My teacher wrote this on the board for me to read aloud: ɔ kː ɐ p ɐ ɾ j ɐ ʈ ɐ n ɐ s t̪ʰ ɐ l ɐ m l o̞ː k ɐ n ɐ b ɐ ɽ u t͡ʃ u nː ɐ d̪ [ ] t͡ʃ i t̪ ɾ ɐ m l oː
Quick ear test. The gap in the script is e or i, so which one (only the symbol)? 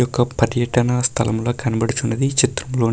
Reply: i